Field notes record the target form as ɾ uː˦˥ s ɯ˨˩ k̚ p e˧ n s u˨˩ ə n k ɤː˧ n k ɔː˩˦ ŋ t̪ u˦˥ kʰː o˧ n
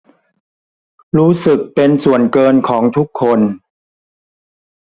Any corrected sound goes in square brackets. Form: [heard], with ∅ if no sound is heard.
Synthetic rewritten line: ɾ uː˦˥ s ɯ˨˩ k̚ p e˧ n s u˨˩ ə n k ɤː˧ n [kʰ] ɔː˩˦ ŋ [t̪ʰ] u˦˥ kʰː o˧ n

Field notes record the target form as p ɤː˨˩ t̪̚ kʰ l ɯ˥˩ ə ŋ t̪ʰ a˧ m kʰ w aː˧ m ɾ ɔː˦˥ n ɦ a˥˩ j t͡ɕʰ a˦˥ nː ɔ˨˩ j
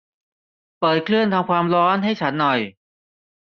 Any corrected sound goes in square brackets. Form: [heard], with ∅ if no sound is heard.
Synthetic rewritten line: p ɤː˨˩ t̪̚ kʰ l ɯ˥˩ ə [n] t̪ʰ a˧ m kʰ w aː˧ m ɾ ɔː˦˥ n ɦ a˥˩ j t͡ɕʰ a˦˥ nː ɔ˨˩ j

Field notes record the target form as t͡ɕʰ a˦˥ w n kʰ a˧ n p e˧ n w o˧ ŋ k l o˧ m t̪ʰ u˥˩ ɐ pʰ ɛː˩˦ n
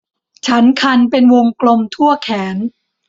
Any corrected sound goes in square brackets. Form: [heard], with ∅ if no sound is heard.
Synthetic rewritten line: t͡ɕʰ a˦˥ [∅] n kʰ a˧ n p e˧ n w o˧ ŋ k l o˧ m t̪ʰ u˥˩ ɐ [kʰ] ɛː˩˦ n

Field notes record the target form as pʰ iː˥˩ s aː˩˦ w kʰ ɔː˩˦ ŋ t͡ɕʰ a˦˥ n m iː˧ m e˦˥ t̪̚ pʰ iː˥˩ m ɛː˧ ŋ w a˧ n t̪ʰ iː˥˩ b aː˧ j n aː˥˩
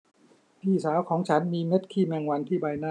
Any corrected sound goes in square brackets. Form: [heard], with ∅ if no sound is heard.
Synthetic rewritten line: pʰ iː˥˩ s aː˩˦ w kʰ ɔː˩˦ ŋ t͡ɕʰ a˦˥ n m iː˧ m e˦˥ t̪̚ [kʰ] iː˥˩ m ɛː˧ ŋ w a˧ n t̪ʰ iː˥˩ b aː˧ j n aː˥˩

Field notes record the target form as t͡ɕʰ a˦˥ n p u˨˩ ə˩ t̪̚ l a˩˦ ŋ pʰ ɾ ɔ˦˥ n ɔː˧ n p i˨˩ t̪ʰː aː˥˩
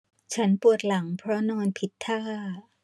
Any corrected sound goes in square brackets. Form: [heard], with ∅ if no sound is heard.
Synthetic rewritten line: t͡ɕʰ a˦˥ n p u˨˩ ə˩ t̪̚ l a˩˦ ŋ pʰ ɾ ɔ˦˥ n ɔː˧ n [pʰ] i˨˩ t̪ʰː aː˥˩

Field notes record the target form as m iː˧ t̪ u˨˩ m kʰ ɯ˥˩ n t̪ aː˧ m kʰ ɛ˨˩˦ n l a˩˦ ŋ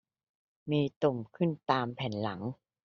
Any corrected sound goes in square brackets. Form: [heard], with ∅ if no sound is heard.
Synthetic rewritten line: m iː˧ t̪ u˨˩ m kʰ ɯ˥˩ n t̪ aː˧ m [pʰ] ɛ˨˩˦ n l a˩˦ ŋ

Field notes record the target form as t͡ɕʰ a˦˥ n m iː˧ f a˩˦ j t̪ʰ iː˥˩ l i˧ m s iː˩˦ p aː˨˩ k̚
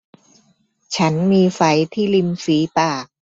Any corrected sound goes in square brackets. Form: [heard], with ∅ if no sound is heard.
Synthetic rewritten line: t͡ɕʰ a˦˥ n m iː˧ f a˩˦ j t̪ʰ iː˥˩ l i˧ m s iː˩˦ p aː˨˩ k̚

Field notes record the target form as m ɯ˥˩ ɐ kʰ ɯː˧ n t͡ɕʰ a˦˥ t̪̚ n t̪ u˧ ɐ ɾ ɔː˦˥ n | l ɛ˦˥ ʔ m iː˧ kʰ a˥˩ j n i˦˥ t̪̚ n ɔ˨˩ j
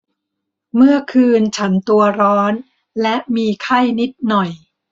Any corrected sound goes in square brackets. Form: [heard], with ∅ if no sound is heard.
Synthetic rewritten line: m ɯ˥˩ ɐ kʰ ɯː˧ n t͡ɕʰ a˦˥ [∅] n t̪ u˧ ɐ ɾ ɔː˦˥ n | l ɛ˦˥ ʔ m iː˧ kʰ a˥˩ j n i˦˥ t̪̚ n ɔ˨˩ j

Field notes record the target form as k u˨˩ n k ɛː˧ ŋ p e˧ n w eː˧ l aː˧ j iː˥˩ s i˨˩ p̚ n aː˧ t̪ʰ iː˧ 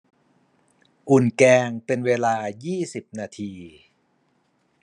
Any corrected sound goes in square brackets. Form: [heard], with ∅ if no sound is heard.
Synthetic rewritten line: [ʔ] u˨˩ n k ɛː˧ ŋ p e˧ n w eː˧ l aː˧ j iː˥˩ s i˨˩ p̚ n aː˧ t̪ʰ iː˧

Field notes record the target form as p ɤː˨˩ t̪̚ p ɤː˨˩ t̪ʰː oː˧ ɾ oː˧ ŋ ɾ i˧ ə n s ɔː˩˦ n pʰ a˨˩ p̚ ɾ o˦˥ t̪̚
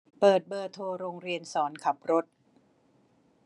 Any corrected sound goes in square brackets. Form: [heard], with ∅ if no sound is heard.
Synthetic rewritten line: p ɤː˨˩ t̪̚ [b] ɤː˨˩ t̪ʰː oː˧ ɾ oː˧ ŋ ɾ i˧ ə n s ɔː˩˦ n [kʰ] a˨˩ p̚ ɾ o˦˥ t̪̚

